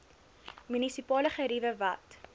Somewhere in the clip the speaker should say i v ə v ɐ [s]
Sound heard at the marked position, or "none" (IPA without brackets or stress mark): t